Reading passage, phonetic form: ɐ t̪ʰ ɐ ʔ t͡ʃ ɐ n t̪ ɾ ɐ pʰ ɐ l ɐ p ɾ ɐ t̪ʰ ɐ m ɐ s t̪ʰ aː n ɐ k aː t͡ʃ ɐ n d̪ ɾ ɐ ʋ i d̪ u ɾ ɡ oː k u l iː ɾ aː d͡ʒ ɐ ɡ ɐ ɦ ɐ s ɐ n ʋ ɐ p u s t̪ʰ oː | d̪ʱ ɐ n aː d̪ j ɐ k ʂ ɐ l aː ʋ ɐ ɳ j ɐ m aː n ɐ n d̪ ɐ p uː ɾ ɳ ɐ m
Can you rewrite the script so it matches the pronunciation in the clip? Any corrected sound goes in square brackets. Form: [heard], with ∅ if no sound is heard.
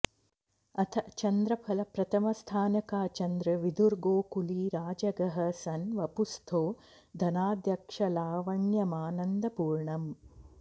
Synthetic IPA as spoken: ɐ t̪ʰ ɐ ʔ t͡ʃ ɐ n [d̪] ɾ ɐ pʰ ɐ l ɐ p ɾ ɐ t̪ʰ ɐ m ɐ s t̪ʰ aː n ɐ k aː t͡ʃ ɐ n d̪ ɾ ɐ ʋ i d̪ u ɾ ɡ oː k u l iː ɾ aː d͡ʒ ɐ ɡ ɐ ɦ ɐ s ɐ n ʋ ɐ p u s t̪ʰ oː | d̪ʱ ɐ n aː d̪ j ɐ k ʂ ɐ l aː ʋ ɐ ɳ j ɐ m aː n ɐ n d̪ ɐ p uː ɾ ɳ ɐ m

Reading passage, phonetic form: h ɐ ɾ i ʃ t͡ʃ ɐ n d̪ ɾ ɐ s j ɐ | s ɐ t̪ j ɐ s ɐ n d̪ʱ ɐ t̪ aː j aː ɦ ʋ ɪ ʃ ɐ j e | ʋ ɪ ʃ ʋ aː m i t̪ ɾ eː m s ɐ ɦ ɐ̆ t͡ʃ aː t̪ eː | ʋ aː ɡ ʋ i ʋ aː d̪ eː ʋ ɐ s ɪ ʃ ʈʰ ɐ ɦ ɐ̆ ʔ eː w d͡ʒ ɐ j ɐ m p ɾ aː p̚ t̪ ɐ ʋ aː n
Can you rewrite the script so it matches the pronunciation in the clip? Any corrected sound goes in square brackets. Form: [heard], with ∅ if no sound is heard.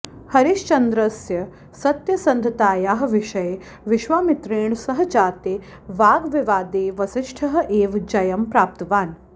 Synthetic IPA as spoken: h ɐ ɾ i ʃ t͡ʃ ɐ n d̪ ɾ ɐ s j ɐ | s ɐ t̪ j ɐ s ɐ n d̪ʱ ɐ t̪ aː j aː ɦ ʋ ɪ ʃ ɐ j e | ʋ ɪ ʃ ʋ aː m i t̪ ɾ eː [ɳ] s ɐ ɦ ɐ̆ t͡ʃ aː t̪ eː | ʋ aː ɡ ʋ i ʋ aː d̪ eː ʋ ɐ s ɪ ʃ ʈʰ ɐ ɦ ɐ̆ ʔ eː [ʋ] d͡ʒ ɐ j ɐ m p ɾ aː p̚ t̪ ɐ ʋ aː n

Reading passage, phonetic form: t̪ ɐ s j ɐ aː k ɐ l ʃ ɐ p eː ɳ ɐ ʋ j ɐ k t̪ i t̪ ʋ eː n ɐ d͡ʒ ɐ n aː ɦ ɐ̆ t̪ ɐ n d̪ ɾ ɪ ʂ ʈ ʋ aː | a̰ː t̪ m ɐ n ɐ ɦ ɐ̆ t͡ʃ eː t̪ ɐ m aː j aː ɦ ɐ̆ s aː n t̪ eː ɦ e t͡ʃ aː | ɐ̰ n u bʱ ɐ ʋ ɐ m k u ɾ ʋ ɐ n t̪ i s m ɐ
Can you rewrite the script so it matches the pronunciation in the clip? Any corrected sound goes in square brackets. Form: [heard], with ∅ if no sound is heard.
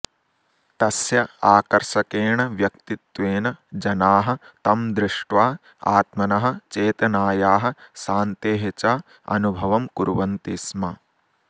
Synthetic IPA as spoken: t̪ ɐ s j ɐ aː k ɐ [ɾ] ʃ ɐ [k] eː ɳ ɐ ʋ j ɐ k t̪ i t̪ ʋ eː n ɐ d͡ʒ ɐ n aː ɦ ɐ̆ t̪ ɐ [m] d̪ ɾ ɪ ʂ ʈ ʋ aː | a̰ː t̪ m ɐ n ɐ ɦ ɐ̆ t͡ʃ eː t̪ ɐ [n] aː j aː ɦ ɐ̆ s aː n t̪ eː ɦ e t͡ʃ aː | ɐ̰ n u bʱ ɐ ʋ ɐ m k u ɾ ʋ ɐ n t̪ i s m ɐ

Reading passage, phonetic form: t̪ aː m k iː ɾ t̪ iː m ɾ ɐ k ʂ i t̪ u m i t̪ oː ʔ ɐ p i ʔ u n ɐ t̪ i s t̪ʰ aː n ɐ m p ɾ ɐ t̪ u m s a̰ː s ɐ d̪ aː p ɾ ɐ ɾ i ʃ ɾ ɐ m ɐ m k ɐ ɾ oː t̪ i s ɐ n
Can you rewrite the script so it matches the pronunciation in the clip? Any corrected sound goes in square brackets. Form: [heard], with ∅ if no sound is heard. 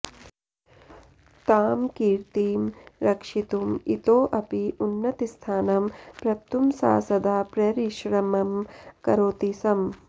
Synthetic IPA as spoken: t̪ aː m k iː ɾ t̪ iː m ɾ ɐ k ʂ i t̪ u m i t̪ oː ʔ ɐ p i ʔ u [nː] ɐ t̪ i s t̪ʰ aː n ɐ m p ɾ ɐ t̪ u m s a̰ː s ɐ d̪ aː p ɾ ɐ ɾ i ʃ ɾ ɐ m ɐ m k ɐ ɾ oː t̪ i s ɐ [m]

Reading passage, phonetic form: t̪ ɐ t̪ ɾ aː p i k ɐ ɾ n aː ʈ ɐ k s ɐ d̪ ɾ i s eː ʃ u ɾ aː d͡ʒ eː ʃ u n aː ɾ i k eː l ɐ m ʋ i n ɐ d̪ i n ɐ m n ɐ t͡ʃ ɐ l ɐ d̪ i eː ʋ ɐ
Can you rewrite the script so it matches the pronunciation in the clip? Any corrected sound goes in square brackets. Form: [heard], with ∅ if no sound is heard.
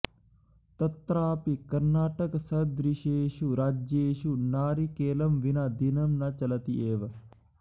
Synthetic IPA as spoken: t̪ ɐ t̪ ɾ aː p i k ɐ ɾ n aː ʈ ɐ k s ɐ d̪ ɾ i [ʃ] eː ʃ u ɾ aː d͡ʒ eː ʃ u n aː ɾ i k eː l ɐ m ʋ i n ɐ d̪ i n ɐ m n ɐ t͡ʃ ɐ l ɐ [t̪] i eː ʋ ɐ

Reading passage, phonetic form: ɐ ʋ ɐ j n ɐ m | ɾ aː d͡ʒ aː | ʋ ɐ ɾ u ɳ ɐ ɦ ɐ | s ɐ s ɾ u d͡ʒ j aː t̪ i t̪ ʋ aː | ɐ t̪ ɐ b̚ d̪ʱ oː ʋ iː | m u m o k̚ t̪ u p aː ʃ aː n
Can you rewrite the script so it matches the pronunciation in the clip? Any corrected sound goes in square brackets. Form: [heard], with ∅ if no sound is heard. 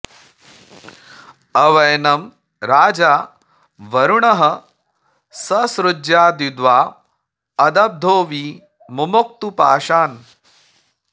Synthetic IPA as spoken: ɐ ʋ ɐ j n ɐ m | ɾ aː d͡ʒ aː | ʋ ɐ ɾ u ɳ ɐ ɦ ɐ | s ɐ s ɾ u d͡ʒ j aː [d̪] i [d̪] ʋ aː | ɐ [d̪] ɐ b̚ d̪ʱ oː ʋ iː | m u m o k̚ t̪ u p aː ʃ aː n

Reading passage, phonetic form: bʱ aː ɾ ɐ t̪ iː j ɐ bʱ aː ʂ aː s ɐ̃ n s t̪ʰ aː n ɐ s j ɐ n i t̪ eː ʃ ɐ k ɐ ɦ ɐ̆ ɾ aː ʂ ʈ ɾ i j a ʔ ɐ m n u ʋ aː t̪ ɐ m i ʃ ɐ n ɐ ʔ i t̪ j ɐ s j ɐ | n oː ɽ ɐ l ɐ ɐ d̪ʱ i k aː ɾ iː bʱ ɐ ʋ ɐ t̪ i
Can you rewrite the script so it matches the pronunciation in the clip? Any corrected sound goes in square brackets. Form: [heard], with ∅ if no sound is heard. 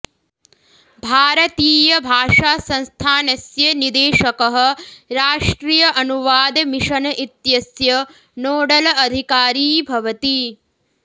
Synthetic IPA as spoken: bʱ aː ɾ ɐ t̪ iː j ɐ bʱ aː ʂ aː s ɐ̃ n s t̪ʰ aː n ɐ s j ɐ n i [d̪] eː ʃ ɐ k ɐ ɦ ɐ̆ ɾ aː ʂ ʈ ɾ i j [ɐ] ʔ ɐ [∅] n u ʋ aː [d̪] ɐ m i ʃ ɐ n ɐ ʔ i t̪ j ɐ s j ɐ | n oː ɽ ɐ l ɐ ɐ d̪ʱ i k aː ɾ iː bʱ ɐ ʋ ɐ t̪ i

